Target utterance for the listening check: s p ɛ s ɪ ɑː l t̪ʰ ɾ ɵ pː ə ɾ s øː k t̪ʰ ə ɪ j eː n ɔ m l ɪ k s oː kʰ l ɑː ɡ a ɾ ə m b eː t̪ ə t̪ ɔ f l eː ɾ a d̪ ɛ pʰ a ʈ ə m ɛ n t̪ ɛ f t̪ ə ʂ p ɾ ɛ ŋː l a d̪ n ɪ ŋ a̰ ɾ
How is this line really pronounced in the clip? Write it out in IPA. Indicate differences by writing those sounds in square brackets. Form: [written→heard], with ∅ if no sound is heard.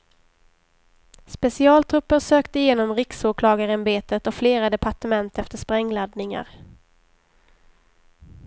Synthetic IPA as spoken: s p ɛ s ɪ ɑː l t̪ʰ ɾ ɵ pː ə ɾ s øː k [t̪ʰ→t̪] ə ɪ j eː n ɔ m [l→ɾ] ɪ k s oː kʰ l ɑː ɡ a ɾ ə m b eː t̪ ə t̪ ɔ f l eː ɾ a d̪ ɛ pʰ a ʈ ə m ɛ n t̪ ɛ f t̪ ə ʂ p ɾ ɛ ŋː l a d̪ n ɪ ŋ a̰ ɾ